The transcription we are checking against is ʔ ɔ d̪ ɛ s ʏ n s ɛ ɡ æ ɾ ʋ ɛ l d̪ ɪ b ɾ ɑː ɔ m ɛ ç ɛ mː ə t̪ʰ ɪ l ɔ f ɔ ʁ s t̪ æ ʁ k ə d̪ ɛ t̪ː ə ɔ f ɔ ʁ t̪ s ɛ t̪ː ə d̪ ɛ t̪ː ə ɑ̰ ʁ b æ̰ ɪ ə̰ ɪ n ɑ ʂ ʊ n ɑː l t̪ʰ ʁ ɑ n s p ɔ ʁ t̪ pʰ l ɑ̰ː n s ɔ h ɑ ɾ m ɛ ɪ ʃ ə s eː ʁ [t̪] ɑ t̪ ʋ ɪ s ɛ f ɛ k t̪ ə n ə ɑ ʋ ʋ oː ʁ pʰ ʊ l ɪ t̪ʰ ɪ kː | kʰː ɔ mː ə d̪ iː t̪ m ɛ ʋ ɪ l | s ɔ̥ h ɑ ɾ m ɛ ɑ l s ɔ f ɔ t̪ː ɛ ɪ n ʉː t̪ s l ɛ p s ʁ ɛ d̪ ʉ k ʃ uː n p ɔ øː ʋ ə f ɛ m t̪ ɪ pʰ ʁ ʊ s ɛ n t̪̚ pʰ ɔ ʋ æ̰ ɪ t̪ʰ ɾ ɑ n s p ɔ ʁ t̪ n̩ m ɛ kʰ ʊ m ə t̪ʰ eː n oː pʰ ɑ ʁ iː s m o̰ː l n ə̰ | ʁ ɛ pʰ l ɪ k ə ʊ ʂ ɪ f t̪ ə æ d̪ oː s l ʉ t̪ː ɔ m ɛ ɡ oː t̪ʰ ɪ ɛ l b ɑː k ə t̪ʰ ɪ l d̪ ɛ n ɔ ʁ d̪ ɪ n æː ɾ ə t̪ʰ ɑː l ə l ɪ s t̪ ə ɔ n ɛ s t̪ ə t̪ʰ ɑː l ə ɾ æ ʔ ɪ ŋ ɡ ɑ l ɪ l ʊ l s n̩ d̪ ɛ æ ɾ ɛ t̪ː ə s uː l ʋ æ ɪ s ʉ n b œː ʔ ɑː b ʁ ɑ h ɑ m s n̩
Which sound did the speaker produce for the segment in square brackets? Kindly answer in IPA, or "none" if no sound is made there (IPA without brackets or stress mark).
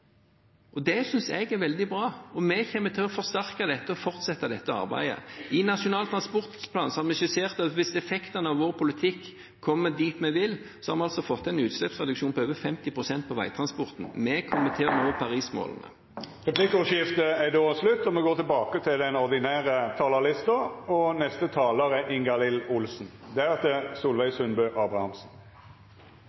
t̪